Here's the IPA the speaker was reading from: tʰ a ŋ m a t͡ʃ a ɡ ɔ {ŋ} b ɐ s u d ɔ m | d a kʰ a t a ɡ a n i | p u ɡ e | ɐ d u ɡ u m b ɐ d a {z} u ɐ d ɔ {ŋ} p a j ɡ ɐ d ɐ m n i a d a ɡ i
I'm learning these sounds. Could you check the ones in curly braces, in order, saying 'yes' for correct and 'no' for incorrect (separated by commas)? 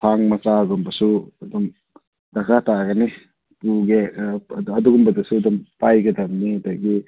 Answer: no, no, no